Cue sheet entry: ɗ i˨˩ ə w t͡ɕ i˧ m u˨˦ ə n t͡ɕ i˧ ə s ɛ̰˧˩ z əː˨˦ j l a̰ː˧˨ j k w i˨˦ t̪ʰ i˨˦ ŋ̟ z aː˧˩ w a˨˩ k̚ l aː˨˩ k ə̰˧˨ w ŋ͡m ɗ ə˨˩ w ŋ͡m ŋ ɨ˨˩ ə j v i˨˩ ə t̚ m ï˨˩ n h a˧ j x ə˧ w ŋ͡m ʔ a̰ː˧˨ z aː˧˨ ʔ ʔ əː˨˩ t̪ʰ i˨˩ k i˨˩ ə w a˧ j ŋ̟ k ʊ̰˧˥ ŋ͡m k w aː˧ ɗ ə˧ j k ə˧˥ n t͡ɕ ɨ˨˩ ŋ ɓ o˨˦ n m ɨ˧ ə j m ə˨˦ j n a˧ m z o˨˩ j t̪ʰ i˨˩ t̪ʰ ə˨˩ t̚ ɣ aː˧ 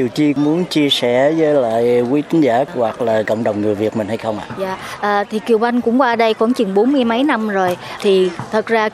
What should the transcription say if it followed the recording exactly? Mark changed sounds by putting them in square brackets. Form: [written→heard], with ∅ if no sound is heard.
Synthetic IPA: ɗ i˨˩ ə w t͡ɕ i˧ m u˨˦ ə n t͡ɕ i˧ ə s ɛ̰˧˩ z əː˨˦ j l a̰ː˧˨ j k w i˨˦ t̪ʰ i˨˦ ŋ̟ z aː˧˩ w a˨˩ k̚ l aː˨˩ k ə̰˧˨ w ŋ͡m ɗ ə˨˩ w ŋ͡m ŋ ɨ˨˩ ə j v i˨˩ ə t̚ m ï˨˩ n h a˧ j x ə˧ w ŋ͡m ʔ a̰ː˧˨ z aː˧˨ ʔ ʔ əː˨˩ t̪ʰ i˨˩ k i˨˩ ə w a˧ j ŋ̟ k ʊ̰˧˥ ŋ͡m k w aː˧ ɗ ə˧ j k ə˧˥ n t͡ɕ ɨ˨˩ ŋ ɓ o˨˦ n m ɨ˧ ə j m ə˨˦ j n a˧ m z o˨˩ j t̪ʰ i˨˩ t̪ʰ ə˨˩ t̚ [ɣ→z] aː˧